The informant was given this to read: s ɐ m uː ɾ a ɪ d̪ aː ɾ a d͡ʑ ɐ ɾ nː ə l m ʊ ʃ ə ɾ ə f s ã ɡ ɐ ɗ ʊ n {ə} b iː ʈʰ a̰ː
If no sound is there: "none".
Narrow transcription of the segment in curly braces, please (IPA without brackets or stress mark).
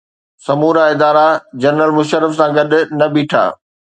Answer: ɐ